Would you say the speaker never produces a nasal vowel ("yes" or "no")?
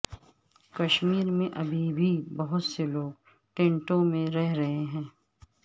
no